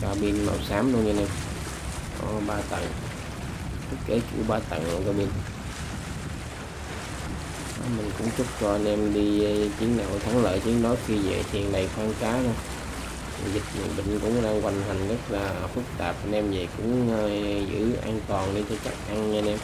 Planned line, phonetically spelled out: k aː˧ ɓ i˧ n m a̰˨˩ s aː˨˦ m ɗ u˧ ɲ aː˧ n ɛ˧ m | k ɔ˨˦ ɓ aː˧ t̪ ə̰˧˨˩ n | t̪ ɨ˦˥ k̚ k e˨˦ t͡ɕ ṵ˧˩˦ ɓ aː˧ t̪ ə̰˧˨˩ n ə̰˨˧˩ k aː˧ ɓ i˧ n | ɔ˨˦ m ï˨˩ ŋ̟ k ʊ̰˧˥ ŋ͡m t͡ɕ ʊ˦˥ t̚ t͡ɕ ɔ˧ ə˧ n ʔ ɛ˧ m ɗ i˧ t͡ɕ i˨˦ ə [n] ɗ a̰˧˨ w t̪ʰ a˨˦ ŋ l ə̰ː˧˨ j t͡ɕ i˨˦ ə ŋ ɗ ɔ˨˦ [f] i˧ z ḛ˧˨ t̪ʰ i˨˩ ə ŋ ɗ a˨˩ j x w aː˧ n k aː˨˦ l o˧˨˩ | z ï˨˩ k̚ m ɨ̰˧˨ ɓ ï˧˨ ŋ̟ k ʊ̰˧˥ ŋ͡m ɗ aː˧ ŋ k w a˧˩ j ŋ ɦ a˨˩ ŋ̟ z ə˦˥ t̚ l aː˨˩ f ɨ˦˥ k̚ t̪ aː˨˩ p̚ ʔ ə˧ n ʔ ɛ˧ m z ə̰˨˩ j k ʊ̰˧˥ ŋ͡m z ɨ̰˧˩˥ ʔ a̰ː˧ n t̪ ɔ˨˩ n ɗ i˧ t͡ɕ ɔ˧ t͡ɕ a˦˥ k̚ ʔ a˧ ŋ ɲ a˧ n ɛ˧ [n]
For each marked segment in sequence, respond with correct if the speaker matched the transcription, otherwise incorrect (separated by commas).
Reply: incorrect, incorrect, incorrect